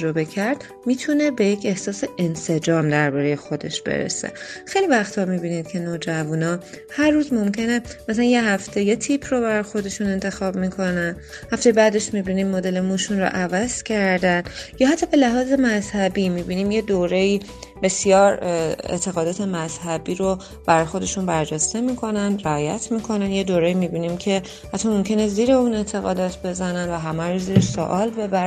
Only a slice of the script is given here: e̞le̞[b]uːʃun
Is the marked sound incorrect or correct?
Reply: incorrect